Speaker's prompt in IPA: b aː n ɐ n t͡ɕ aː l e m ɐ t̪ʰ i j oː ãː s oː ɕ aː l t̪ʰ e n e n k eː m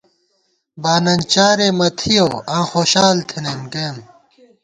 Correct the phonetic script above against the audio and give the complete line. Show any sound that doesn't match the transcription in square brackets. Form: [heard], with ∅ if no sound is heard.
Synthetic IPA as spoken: b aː n ɐ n t͡ɕ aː [ɾ] e m ɐ t̪ʰ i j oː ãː [x] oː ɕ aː l t̪ʰ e n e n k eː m